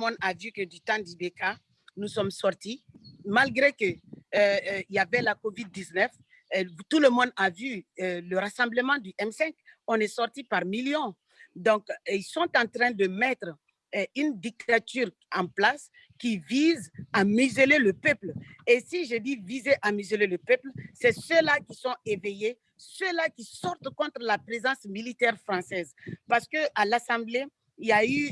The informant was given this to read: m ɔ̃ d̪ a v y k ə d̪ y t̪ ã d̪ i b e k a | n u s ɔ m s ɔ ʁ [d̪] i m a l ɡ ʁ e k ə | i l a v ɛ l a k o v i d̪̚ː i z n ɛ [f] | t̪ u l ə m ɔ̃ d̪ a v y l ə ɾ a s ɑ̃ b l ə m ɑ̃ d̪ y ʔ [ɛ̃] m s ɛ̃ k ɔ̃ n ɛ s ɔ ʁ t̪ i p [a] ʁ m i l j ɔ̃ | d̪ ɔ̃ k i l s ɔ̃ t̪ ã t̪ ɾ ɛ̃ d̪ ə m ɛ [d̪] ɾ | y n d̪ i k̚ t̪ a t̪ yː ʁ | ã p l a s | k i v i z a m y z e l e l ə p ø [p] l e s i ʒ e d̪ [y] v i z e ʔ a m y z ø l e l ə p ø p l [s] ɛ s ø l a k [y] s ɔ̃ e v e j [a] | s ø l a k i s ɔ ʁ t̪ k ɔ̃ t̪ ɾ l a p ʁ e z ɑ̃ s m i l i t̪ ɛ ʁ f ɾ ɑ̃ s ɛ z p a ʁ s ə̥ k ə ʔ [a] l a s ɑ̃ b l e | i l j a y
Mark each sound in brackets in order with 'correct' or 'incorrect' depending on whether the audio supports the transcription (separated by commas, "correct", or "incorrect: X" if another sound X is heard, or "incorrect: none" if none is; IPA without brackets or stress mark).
incorrect: t̪, correct, incorrect: ɛ, correct, incorrect: t̪, correct, incorrect: i, correct, incorrect: i, incorrect: e, correct